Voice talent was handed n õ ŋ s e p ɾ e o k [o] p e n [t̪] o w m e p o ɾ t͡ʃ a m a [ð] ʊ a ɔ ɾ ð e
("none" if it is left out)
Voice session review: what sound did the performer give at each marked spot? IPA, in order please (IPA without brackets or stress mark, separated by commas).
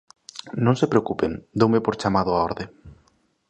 u, d̪, ð